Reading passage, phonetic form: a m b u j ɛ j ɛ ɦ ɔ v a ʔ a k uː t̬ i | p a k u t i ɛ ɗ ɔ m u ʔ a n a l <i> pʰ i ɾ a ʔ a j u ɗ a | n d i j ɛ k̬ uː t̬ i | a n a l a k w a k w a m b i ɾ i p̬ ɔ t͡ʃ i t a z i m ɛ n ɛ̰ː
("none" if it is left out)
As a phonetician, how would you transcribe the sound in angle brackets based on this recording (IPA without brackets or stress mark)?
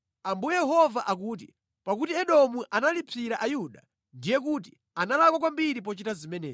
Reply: i